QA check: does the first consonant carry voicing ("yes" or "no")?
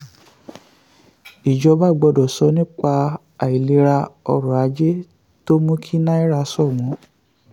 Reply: yes